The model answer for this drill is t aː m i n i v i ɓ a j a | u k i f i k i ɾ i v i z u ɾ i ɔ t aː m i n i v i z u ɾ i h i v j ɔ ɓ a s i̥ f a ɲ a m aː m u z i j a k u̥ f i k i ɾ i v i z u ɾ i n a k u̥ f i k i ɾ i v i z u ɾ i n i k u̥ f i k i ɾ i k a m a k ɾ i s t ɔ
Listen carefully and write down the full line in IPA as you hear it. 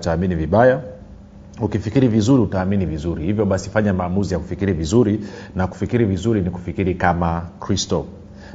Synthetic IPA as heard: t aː m i n i v i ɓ a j a | u k i f i k i ɾ i v i z u ɾ i u t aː m i n i v i z u ɾ i h i v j ɔ ɓ a s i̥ f a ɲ a m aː m u z i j a k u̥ f i k i ɾ i v i z u ɾ i n a k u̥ f i k i ɾ i v i z u ɾ i n i k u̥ f i k i ɾ i k a m a k ɾ i s t ɔ